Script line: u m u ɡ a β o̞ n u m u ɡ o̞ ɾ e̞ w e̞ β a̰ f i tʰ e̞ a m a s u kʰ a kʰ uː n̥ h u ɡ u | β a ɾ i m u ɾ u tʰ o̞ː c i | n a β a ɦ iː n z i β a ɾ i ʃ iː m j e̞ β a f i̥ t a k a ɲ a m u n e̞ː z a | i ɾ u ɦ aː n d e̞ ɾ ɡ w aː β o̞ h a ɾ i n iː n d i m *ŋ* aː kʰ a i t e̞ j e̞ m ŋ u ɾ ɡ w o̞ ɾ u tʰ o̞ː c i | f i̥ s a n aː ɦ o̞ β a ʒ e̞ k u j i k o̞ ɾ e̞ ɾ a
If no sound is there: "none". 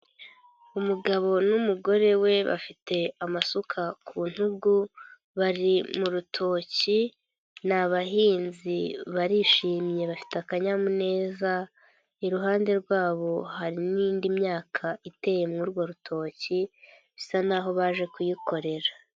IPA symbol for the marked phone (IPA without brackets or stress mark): ɲ